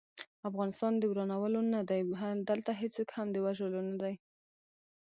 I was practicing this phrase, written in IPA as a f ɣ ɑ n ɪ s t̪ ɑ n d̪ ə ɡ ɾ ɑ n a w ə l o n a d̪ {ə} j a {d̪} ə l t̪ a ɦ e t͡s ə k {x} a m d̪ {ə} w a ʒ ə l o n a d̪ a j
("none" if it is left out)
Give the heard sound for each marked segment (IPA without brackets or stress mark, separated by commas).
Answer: a, d̪, h, ə